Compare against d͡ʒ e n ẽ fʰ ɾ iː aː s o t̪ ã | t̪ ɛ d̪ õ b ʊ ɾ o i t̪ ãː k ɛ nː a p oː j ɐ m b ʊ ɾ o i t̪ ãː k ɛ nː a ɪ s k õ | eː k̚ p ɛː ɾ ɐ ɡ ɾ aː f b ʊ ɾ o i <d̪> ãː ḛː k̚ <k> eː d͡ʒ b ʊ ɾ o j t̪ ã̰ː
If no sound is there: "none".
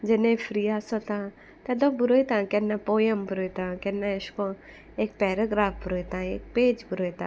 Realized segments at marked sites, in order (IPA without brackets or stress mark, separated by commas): t̪, p